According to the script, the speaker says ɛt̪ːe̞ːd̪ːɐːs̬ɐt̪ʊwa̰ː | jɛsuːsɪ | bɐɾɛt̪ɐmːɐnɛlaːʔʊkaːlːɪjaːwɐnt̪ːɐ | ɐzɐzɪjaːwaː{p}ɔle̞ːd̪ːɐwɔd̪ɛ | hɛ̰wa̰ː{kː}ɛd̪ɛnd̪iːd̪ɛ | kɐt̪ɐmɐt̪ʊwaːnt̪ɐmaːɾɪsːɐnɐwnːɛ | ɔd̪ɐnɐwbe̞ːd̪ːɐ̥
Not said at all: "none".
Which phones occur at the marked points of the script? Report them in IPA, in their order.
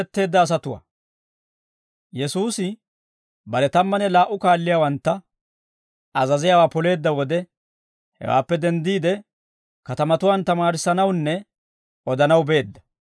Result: p, pː

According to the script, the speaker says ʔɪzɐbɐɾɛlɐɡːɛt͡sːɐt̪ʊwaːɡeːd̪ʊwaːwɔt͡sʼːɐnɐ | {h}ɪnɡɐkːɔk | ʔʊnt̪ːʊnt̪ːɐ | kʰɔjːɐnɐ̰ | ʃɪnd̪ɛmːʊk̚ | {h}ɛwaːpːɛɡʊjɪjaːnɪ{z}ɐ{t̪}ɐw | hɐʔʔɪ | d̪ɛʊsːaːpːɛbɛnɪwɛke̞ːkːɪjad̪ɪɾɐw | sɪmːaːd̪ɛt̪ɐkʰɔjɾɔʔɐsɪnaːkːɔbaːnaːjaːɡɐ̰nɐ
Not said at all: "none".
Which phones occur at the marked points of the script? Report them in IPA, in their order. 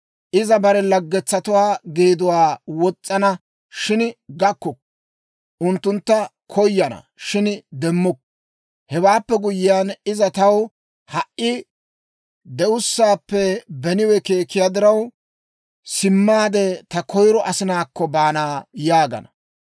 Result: ʃ, h, z, t̪

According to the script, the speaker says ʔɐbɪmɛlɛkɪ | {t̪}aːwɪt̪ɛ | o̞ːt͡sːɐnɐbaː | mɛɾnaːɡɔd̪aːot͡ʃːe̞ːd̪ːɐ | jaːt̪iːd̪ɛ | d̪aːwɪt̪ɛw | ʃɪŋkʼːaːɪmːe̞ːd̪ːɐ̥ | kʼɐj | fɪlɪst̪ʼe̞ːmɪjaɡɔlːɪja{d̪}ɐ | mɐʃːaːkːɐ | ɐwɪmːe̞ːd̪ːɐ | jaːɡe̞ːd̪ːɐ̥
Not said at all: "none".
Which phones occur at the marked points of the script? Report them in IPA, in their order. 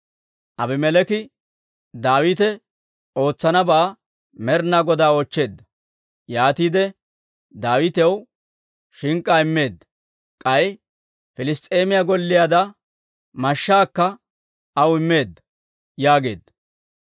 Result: d̪, d̪

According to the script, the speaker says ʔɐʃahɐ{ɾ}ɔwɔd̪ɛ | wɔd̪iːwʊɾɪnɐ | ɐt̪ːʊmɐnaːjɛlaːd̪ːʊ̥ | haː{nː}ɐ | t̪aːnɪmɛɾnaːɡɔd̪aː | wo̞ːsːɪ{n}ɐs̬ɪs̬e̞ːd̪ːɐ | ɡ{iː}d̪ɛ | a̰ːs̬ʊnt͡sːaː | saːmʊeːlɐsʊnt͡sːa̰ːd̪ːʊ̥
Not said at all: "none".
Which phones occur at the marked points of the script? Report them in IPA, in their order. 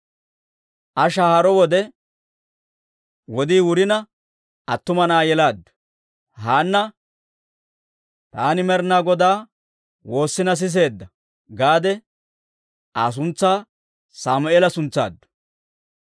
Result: ɾ, nː, n, aː

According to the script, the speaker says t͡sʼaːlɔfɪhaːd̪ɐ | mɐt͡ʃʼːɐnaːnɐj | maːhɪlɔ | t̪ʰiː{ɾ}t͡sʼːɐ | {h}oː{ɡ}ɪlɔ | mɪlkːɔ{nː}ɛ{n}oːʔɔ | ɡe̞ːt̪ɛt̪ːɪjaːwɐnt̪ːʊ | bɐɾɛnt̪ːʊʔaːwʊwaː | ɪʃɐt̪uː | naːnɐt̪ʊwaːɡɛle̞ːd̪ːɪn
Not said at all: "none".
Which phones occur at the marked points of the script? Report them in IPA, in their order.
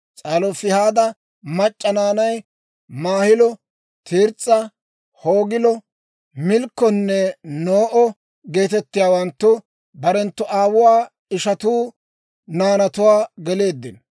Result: ɾ, h, ɡ, nː, n

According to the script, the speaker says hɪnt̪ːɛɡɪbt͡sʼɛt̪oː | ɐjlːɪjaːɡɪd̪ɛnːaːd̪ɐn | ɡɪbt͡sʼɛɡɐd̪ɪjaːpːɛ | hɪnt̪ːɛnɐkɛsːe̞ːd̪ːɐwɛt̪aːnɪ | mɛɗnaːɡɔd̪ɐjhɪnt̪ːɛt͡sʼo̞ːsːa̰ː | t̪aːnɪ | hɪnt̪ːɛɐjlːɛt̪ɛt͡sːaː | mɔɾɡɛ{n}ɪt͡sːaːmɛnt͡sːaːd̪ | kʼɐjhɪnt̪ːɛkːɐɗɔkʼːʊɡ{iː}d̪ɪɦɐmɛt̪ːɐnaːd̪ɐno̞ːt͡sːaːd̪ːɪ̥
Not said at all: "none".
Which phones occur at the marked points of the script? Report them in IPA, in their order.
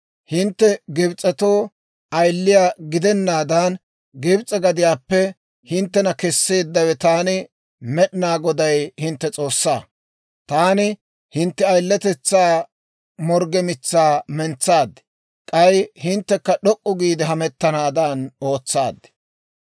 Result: m, iː

